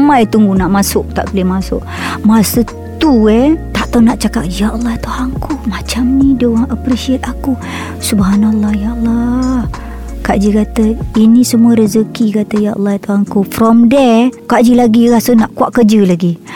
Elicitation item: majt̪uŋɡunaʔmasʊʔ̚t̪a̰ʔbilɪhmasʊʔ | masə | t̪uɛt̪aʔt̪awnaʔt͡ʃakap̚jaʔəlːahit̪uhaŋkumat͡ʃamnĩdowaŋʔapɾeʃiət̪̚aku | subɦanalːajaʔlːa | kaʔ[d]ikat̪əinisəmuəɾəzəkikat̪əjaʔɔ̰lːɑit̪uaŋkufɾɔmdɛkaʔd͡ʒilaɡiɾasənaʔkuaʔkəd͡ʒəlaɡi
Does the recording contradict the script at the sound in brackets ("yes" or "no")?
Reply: yes